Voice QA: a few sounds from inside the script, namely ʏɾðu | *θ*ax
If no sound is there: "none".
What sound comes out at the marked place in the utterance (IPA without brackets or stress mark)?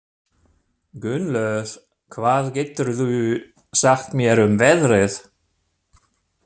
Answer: s